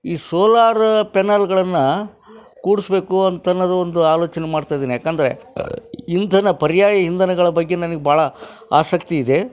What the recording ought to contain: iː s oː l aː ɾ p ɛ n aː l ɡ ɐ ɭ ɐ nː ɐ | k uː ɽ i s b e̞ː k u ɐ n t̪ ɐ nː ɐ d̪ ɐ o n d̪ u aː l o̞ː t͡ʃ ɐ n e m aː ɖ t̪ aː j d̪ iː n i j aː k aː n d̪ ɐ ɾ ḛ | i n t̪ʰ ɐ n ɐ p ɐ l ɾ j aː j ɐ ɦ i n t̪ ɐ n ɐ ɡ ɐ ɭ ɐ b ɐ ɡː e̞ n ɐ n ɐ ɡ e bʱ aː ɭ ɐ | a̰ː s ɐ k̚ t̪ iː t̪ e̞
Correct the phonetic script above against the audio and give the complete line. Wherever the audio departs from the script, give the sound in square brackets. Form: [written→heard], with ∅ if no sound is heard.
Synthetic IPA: iː s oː l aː ɾ p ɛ n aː l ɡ ɐ ɭ ɐ nː ɐ | k uː ɽ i s b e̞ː k u ɐ n t̪ ɐ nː ɐ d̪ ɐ o n d̪ u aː l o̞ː t͡ʃ ɐ n e m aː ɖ t̪ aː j d̪ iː n i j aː k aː n d̪ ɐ ɾ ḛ | i n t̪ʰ ɐ n ɐ p ɐ [l→∅] ɾ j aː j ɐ ɦ i n [t̪→d̪] ɐ n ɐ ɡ ɐ ɭ ɐ b ɐ ɡː e̞ n ɐ n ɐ ɡ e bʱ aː ɭ ɐ | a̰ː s ɐ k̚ t̪ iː [t̪→d̪] e̞

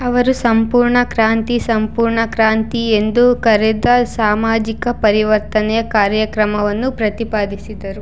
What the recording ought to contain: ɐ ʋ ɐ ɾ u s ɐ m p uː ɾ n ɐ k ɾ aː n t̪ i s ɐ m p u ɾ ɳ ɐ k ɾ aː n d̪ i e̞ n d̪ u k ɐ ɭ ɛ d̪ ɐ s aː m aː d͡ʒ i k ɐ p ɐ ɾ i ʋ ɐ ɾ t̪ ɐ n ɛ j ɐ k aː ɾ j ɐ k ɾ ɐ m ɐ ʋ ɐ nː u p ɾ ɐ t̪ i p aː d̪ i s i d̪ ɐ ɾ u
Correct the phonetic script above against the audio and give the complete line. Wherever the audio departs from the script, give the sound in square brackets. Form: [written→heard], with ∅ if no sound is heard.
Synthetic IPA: ɐ ʋ ɐ ɾ u s ɐ m p uː ɾ [n→ɳ] ɐ k ɾ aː n t̪ i s ɐ m p [u→uː] ɾ ɳ ɐ k ɾ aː n [d̪→t̪] i e̞ n d̪ u k ɐ [ɭ→ɾ] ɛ d̪ ɐ s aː m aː d͡ʒ i k ɐ p ɐ ɾ i ʋ ɐ ɾ t̪ ɐ n ɛ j ɐ k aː ɾ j ɐ k ɾ ɐ m ɐ ʋ ɐ nː u p ɾ ɐ t̪ i p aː d̪ i s i d̪ ɐ ɾ u

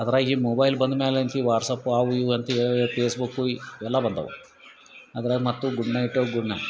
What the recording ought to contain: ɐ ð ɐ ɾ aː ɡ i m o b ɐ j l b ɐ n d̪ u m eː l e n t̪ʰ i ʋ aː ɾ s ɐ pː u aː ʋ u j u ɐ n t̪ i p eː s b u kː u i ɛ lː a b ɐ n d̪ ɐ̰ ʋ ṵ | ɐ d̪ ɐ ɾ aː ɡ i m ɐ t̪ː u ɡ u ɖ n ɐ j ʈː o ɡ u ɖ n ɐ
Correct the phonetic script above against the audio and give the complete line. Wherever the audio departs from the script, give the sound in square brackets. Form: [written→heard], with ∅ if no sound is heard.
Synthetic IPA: ɐ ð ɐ ɾ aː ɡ i m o b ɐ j l b ɐ n d̪ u m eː l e n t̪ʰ i ʋ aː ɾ s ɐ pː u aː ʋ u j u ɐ n t̪ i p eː s b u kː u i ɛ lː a b ɐ n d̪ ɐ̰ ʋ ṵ | ɐ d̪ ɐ ɾ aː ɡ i m ɐ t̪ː u ɡ u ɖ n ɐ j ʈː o ɡ u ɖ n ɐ

